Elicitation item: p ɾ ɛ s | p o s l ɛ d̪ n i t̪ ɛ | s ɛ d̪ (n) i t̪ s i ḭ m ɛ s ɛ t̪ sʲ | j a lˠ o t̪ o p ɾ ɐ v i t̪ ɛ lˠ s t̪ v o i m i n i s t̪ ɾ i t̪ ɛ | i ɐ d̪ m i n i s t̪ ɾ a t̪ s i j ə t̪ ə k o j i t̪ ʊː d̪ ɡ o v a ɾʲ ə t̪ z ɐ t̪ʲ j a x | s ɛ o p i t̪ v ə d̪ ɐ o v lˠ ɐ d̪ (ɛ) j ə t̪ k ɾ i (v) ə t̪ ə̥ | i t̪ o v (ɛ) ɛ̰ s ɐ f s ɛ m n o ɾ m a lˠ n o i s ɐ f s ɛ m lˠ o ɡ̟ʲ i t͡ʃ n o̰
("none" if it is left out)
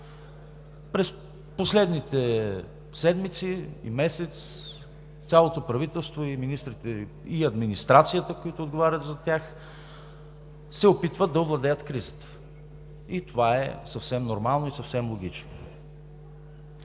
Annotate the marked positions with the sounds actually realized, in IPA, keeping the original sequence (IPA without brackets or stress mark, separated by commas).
m, ɛ, z, a